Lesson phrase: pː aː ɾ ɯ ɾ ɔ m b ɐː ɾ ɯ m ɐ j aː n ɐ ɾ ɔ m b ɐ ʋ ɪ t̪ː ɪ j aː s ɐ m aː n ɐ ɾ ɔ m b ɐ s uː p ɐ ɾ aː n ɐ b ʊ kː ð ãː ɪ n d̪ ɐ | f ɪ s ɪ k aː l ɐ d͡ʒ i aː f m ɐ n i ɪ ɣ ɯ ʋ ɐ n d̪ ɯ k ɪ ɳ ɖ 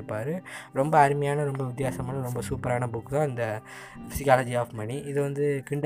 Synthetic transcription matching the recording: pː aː ɾ ɯ ɾ ɔ m b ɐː ɾ ɯ m ɐ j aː n ɐ ɾ ɔ m b ɐ ʋ ɪ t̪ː ɪ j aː s ɐ m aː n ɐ ɾ ɔ m b ɐ s uː p ɐ ɾ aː n ɐ b ʊ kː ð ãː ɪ n d̪ ɐ | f ɪ s ɪ k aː l ɐ d͡ʒ i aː f m ɐ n i ɪ ð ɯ ʋ ɐ n d̪ ɯ k ɪ ɳ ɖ